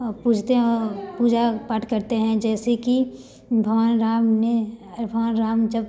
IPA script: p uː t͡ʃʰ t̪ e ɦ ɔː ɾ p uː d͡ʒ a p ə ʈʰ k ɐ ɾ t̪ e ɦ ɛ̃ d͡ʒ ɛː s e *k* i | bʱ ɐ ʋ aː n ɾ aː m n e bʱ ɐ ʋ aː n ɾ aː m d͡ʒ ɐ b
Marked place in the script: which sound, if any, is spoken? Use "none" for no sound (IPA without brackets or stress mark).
k